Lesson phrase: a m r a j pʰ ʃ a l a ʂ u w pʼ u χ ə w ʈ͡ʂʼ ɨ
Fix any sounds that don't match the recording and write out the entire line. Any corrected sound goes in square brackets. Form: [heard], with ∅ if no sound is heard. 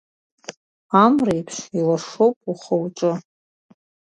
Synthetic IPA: a m r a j pʰ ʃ [i] l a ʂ [o] w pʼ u χ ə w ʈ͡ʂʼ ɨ

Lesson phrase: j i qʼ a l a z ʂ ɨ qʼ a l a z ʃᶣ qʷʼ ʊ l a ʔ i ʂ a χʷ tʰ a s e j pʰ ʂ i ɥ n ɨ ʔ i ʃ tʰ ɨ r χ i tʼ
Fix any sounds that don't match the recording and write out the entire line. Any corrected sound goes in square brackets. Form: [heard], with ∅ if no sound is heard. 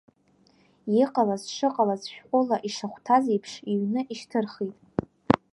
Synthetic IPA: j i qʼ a l a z ʂ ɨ qʼ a l a z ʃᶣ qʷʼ ʊ l a ʔ i ʂ a χʷ tʰ a [z] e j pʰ ʂ i ɥ n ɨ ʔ i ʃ tʰ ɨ r χ i tʼ

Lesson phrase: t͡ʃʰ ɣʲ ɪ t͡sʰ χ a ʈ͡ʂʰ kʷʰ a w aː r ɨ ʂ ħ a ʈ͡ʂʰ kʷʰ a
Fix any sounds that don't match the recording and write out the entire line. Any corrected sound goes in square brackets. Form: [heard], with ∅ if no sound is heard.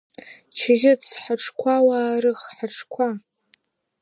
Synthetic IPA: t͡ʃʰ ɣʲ ɪ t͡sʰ [ħ] a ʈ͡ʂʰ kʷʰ a w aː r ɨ [χ] ħ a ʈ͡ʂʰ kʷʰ a

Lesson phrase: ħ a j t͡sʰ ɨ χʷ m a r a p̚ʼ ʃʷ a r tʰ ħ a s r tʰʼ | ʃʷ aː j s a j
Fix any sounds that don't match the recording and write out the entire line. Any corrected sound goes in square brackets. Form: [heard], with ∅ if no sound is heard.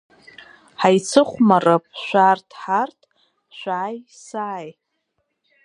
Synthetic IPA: ħ a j t͡sʰ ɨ χʷ m a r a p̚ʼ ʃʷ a r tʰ ħ a [∅] r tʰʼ | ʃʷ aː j s a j

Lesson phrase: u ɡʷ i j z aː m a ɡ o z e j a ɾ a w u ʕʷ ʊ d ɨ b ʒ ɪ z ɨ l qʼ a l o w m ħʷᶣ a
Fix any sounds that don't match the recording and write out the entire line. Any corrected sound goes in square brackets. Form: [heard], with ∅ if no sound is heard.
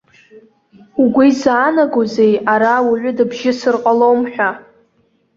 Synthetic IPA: u ɡʷ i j z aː [n] a ɡ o z e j a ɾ a w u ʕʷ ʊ d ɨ b ʒ ɪ [s] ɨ [r] qʼ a l o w m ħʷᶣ a

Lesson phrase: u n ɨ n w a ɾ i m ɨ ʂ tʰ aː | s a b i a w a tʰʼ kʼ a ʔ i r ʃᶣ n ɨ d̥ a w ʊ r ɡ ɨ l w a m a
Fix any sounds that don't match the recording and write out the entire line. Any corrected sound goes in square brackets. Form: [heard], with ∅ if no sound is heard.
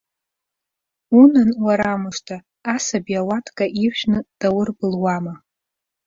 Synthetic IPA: u n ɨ n w a ɾ [a] m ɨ ʂ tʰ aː | s a b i a w a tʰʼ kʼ a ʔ i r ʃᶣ n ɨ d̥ a w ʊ r [b] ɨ l w a m a

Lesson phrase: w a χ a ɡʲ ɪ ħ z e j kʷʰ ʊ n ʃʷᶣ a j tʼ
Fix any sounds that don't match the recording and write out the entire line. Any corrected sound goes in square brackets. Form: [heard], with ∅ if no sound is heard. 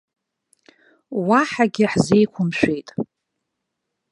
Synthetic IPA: w a [ħ] a ɡʲ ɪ ħ z e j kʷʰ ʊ [m] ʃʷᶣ [e] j tʼ

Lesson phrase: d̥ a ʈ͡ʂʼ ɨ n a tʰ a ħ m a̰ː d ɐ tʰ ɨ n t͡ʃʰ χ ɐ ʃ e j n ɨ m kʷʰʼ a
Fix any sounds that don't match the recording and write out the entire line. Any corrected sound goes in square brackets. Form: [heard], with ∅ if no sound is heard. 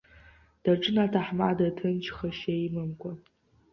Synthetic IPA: d̥ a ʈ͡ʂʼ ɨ n a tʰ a ħ m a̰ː d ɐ tʰ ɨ n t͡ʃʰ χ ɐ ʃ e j [m] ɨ m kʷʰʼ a

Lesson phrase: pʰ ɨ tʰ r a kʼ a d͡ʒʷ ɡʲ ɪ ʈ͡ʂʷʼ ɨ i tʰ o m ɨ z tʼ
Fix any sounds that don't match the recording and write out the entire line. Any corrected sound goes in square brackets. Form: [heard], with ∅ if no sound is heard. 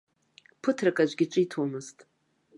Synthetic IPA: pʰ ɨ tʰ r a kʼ a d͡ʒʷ ɡʲ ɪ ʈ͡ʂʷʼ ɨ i tʰ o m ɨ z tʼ

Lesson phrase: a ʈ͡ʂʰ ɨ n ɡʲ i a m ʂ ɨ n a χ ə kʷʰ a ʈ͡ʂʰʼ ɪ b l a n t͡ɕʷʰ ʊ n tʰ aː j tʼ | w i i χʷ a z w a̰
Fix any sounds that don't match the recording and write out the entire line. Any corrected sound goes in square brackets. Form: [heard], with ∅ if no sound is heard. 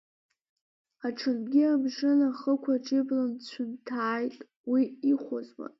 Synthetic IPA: a ʈ͡ʂʰ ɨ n ɡʲ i a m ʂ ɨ n a χ ə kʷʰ a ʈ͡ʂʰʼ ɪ b l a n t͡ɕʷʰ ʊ n tʰ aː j tʼ | w i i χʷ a z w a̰

